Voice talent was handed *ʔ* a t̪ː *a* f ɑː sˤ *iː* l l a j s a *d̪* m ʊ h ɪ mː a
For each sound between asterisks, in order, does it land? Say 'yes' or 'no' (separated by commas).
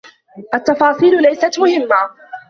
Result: yes, no, yes, no